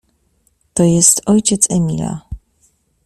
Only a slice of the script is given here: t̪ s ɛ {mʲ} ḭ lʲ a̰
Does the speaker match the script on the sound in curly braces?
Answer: yes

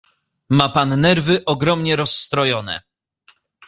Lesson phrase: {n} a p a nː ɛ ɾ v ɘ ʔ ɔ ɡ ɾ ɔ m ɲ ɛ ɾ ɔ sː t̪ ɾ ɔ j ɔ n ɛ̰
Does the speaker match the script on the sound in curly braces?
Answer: no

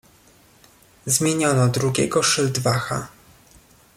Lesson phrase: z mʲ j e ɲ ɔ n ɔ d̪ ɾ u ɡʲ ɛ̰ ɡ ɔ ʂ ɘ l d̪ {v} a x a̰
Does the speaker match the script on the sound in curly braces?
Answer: yes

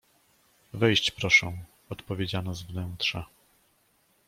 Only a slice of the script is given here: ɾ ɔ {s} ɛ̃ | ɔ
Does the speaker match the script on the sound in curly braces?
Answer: no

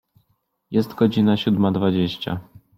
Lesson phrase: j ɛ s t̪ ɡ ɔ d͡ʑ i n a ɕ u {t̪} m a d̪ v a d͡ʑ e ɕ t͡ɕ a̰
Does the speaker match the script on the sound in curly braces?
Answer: no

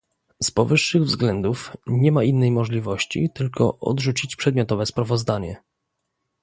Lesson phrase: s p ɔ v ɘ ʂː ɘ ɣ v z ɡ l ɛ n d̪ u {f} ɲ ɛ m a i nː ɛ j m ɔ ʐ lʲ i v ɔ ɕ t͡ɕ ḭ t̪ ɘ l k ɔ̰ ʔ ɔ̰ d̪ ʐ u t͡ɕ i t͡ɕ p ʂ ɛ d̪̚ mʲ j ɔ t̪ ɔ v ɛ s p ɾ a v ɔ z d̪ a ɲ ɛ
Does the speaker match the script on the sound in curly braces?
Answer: yes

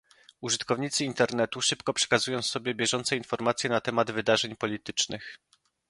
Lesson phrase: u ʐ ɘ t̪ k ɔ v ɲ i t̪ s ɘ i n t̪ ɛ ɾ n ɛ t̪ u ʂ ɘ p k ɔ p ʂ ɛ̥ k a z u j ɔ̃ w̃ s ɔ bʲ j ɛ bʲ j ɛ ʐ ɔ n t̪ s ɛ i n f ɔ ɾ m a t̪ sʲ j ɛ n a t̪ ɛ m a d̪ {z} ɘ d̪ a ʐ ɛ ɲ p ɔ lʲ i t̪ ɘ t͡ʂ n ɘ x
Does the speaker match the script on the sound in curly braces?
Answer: no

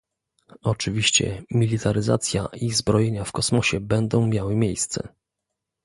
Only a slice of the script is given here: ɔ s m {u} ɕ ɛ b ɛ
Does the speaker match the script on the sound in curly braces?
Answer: no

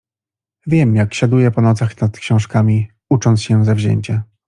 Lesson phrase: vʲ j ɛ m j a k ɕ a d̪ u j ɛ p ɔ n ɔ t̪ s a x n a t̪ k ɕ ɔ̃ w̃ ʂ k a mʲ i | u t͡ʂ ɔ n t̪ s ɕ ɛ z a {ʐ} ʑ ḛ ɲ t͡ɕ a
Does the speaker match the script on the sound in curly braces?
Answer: no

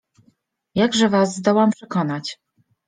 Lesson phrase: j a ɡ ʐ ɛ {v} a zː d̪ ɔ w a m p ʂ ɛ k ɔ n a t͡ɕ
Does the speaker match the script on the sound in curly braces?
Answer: yes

